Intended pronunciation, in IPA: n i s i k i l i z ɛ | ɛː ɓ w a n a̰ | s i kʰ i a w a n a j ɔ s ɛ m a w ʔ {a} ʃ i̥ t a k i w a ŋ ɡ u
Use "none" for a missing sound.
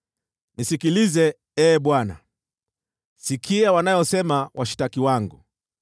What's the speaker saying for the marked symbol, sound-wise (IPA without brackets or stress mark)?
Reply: a